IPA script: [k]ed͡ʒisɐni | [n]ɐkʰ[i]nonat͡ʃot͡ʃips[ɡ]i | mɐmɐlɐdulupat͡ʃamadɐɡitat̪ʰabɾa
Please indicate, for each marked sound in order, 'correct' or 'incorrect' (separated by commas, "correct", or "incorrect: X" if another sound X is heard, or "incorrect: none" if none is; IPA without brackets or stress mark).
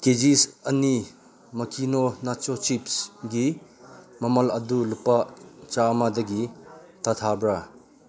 correct, incorrect: m, correct, correct